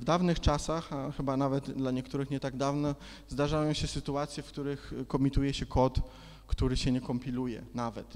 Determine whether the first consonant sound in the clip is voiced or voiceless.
voiced